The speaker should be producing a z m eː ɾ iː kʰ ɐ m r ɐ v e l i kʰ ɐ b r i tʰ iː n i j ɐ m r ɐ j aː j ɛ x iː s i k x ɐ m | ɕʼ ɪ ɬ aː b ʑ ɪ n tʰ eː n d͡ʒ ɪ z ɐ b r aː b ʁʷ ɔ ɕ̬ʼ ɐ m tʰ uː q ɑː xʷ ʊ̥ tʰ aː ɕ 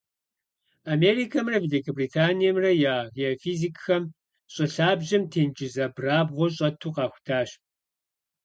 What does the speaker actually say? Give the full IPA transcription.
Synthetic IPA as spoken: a m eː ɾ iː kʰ ɐ m r ɐ v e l i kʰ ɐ b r i tʰ aː n i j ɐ m r ɐ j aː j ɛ f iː z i k x ɐ m | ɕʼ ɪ ɬ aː b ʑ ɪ m tʰ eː n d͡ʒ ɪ z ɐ b r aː b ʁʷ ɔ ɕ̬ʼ ɐ tʰ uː q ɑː xʷ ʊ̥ tʰ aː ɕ